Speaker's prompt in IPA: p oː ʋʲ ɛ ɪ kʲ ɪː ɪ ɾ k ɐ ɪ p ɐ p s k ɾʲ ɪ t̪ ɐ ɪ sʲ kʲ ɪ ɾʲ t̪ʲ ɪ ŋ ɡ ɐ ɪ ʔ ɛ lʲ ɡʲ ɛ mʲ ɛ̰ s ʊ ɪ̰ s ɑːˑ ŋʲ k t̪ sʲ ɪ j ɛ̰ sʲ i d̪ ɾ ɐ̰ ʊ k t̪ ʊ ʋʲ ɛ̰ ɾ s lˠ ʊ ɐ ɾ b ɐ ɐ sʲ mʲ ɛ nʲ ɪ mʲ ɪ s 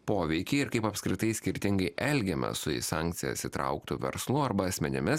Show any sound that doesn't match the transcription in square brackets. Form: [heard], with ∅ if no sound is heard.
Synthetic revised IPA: p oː ʋʲ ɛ ɪ kʲ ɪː ɪ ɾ k ɐ ɪ p ɐ p s k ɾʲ ɪ t̪ ɐ ɪ sʲ kʲ ɪ ɾʲ t̪ʲ ɪ ŋ ɡ ɐ ɪ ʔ ɛ lʲ ɡʲ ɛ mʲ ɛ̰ s ʊ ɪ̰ s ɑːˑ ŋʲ k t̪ sʲ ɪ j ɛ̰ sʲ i [t̪] ɾ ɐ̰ ʊ k t̪ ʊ ʋʲ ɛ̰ ɾ s lˠ ʊ ɐ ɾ b ɐ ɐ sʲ mʲ ɛ nʲ ɪ mʲ ɪ s